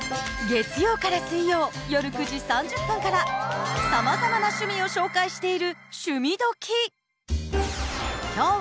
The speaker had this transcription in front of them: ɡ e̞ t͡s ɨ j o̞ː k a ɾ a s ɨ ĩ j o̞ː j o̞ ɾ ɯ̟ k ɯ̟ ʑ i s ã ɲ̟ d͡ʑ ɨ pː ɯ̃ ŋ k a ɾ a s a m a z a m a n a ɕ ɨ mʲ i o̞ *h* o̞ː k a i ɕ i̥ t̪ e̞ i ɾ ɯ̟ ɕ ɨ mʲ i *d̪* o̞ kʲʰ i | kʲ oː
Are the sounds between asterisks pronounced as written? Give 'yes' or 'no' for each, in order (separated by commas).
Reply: no, yes